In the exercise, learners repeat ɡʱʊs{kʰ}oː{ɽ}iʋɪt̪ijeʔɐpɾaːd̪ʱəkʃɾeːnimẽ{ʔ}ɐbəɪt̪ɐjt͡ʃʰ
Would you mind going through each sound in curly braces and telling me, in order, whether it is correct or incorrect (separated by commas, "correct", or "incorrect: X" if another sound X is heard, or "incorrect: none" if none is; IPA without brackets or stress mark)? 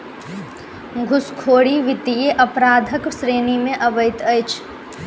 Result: correct, correct, correct